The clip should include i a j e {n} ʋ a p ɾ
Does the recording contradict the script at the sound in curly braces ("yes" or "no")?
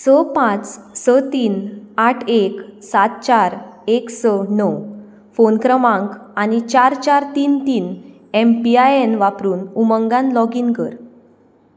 no